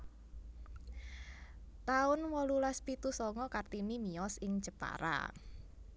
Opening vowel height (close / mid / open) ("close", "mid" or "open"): open